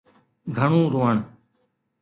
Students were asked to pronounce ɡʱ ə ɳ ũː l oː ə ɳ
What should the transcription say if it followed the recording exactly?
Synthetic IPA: ɡʱ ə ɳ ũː ɾ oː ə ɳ

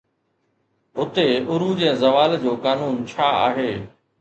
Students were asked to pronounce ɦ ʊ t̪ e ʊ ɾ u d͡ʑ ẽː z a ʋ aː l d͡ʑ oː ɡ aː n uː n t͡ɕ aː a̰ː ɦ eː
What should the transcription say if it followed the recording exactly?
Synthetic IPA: ɦ ʊ t̪ e ʊ ɾ u d͡ʑ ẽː z ɐ ʋ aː l d͡ʑ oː k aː n uː n t͡ɕʰ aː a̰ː ɦ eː

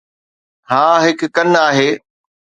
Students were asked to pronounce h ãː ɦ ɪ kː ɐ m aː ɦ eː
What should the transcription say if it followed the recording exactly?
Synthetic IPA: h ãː ɦ ɪ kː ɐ n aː ɦ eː

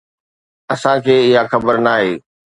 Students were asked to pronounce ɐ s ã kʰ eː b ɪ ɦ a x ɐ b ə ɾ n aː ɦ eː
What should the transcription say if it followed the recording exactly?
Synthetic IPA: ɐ s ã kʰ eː ɪ ɦ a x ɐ b ə ɾ n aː ɦ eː

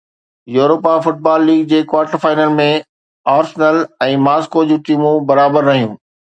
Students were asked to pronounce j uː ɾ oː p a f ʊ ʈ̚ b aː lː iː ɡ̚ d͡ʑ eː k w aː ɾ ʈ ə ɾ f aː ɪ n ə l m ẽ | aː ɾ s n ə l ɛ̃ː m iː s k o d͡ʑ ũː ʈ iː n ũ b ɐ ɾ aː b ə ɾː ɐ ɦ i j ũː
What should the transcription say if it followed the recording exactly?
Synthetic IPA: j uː ɾ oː p a f ʊ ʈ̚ b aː lː iː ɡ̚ d͡ʑ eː k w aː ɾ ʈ ə ɾ f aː ɪ n ə l m ẽ | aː ɾ s n ə l ɛ̃ː m aː s k o d͡ʑ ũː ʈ iː m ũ b ɐ ɾ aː b ə ɾː ɐ ɦ i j ũː

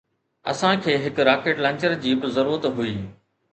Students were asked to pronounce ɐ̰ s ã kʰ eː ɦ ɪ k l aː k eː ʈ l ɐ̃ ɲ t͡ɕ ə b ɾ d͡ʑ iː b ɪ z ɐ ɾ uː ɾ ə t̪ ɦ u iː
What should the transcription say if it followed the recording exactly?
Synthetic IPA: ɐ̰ s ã kʰ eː ɦ ɪ k ɾ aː k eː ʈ l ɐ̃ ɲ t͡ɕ ə ɾ d͡ʑ iː b ɪ z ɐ ɾ uː ɾ ə t̪ ɦ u iː

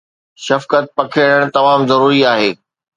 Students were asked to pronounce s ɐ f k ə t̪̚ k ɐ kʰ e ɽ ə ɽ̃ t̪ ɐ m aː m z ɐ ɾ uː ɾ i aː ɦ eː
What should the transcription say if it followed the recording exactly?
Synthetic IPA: ʃ ɐ f k ə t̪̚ p ɐ kʰ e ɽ ə ɽ̃ t̪ ɐ m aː m z ɐ ɾ uː ɾ i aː ɦ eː

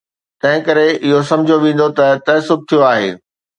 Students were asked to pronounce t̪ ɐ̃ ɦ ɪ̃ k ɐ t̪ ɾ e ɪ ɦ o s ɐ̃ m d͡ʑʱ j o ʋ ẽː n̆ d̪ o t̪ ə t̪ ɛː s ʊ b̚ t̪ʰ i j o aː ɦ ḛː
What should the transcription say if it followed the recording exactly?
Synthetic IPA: t̪ ɐ̃ ɦ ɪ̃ k ɐ ɾ e ɪ ɦ o s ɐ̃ m d͡ʑʱ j o ʋ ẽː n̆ d̪ o t̪ ɐ t̪ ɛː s ʊ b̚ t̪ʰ i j o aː ɦ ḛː

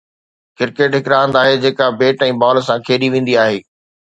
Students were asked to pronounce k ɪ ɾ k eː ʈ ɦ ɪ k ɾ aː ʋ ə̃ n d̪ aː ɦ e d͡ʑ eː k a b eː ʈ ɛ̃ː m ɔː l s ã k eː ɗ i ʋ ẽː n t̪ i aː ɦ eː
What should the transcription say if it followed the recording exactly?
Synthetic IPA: k ɪ ɾ k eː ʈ ɦ ɪ k ɾ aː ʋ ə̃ n d̪ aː ɦ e d͡ʑ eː k a b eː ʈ ɛ̃ː b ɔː l s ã kʰ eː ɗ i ʋ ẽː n d̪ i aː ɦ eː

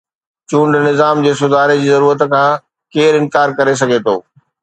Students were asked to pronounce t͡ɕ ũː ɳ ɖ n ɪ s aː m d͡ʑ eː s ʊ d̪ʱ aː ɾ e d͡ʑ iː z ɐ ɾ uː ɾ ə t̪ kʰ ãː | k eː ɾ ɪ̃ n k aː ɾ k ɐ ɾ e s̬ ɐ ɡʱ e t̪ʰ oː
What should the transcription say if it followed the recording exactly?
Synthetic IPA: t͡ɕ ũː ɳ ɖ n ɪ z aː m d͡ʑ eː s ʊ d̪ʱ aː ɾ e d͡ʑ iː z ɐ ɾ uː ɾ ə t̪ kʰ ãː | k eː ɾ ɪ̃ n k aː ɾ k ɐ ɾ e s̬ ɐ ɡʱ e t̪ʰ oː

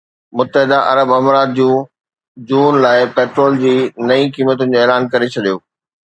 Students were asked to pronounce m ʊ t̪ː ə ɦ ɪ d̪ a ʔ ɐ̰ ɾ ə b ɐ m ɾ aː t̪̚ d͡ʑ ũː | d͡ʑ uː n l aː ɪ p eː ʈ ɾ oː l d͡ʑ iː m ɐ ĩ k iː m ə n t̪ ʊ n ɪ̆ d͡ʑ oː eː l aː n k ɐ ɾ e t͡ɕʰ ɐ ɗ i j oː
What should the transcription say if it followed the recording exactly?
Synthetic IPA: m ʊ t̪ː ə ɦ ɪ d̪ a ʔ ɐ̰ ɾ ə b ɐ m ɾ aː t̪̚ d͡ʑ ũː | d͡ʑ uː n l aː ɪ p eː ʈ ɾ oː l d͡ʑ iː n ɐ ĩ k iː m ə t̪ ʊ n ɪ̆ d͡ʑ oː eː l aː n k ɐ ɾ e t͡ɕʰ ɐ ɗ i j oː

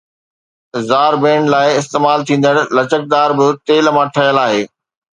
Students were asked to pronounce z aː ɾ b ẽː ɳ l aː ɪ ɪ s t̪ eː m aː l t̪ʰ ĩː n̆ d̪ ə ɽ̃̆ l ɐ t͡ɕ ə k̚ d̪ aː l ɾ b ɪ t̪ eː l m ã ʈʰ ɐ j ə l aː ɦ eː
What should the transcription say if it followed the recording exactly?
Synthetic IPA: z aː ɾ b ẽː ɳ l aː ɪ ɪ s t̪ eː m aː l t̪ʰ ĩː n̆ d̪ ə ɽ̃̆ l ɐ t͡ɕ ə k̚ d̪ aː ɾ b ɪ t̪ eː l m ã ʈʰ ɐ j ə l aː ɦ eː

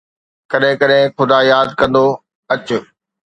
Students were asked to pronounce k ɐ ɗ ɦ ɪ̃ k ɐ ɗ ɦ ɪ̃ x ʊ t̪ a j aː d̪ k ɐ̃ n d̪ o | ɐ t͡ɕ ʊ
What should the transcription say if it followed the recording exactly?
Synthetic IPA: k ɐ ɗ ɦ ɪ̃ k ɐ ɗ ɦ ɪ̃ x ʊ d̪ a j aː d̪ k ɐ̃ n d̪ o | ɐ t͡ɕ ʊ

